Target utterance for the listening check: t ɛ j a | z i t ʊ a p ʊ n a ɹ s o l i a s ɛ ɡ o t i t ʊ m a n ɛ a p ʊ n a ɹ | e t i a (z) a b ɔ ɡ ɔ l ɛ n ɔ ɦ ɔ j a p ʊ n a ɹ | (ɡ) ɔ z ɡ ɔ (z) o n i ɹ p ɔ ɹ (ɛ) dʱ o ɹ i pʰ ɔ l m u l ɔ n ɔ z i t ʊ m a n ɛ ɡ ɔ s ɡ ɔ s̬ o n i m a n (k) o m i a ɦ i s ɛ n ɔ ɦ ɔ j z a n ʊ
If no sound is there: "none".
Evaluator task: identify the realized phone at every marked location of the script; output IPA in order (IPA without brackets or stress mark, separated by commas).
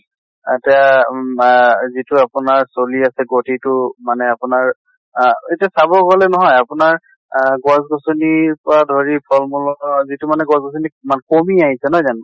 s, ɡ, s, a, k